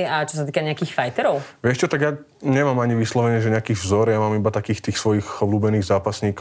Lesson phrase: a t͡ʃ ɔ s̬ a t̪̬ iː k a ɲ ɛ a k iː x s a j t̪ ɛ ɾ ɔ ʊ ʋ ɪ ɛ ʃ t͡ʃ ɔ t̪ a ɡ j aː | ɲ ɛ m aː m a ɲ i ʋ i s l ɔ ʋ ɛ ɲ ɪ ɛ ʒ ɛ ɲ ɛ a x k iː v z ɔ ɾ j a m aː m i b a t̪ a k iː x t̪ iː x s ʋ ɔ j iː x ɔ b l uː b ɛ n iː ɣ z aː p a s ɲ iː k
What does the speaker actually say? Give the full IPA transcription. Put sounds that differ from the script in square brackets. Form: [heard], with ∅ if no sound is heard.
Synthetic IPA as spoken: a t͡ʃ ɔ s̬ a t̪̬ iː k a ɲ ɛ a k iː x [f] a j t̪ ɛ ɾ ɔ ʊ ʋ ɪ ɛ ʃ t͡ʃ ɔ t̪ a ɡ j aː | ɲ ɛ m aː m a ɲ i ʋ i s l ɔ ʋ ɛ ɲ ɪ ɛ ʒ ɛ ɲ ɛ a [∅] k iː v z ɔ ɾ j a m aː m i b a t̪ a k iː x t̪ iː x s ʋ ɔ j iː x ɔ b l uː b ɛ n iː ɣ z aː p a s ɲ iː k